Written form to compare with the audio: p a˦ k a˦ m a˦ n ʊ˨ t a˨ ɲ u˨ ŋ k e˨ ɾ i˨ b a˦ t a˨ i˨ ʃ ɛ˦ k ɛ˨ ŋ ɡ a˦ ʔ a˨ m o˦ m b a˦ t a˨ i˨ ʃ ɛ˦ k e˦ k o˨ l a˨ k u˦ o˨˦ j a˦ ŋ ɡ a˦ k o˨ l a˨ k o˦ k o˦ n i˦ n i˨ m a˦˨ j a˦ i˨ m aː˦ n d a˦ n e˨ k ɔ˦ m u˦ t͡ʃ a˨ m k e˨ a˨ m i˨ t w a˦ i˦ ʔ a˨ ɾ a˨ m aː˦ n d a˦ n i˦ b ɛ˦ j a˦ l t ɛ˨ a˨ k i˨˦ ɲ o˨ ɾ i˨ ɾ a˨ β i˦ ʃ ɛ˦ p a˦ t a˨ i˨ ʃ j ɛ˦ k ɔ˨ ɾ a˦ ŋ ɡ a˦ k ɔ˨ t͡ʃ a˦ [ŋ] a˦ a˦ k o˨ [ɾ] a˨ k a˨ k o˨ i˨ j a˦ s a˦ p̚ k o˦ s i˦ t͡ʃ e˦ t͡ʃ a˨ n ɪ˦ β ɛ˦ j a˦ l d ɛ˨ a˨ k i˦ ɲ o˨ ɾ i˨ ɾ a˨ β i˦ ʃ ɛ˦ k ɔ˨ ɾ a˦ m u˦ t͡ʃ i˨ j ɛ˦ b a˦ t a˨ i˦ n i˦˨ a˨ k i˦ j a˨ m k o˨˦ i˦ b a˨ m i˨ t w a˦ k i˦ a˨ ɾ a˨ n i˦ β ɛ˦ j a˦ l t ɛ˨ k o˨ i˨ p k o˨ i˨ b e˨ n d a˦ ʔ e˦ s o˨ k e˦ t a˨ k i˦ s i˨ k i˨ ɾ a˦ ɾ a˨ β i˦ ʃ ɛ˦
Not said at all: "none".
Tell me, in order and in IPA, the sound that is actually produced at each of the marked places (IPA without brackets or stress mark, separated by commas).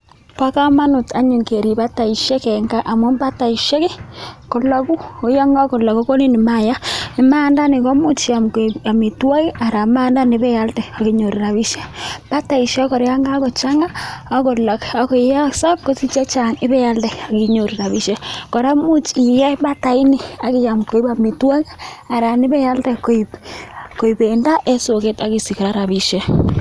ŋ, l